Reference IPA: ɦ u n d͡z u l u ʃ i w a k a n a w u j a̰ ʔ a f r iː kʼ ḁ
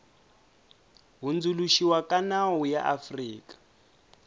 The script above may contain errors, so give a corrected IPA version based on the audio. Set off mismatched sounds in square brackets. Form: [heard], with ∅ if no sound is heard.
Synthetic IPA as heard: ɦ u n d͡z u l u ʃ i w a k a n a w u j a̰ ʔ a f r iː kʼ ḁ